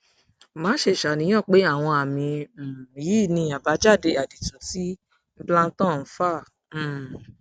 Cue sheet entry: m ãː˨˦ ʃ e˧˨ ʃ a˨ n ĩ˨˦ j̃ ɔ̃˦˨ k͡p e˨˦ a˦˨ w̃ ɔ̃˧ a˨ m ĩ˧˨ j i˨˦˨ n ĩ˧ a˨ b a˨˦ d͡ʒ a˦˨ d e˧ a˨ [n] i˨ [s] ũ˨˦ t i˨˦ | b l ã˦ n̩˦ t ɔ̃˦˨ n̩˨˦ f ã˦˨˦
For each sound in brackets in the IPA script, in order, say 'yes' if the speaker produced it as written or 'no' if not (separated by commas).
no, no